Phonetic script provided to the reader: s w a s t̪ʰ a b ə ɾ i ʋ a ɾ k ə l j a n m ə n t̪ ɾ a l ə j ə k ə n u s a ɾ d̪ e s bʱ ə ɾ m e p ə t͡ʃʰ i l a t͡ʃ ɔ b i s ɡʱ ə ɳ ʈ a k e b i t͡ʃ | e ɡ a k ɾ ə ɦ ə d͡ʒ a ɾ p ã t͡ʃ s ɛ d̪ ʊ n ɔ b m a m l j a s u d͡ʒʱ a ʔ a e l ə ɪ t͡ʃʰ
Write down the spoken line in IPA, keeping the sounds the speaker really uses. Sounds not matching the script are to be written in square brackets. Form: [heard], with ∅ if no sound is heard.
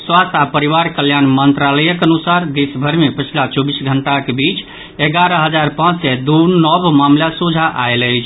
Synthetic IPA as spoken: s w a s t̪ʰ a [p] ə ɾ i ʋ a ɾ k ə l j a n m ə n t̪ ɾ a l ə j ə k ə n u s a ɾ d̪ e s bʱ ə ɾ m e p ə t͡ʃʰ i l a t͡ʃ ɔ b i s ɡʱ ə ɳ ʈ a k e b i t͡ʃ | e ɡ a [∅] ɾ ə ɦ ə d͡ʒ a ɾ p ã t͡ʃ s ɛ d̪ [u] n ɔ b m a m l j a s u d͡ʒʱ a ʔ a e l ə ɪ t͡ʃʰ